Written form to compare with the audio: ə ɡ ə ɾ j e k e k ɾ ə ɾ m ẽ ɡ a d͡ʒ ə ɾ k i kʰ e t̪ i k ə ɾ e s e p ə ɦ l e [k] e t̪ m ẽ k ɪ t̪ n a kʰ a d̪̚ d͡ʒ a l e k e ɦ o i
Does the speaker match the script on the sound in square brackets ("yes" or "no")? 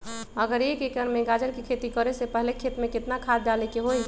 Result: no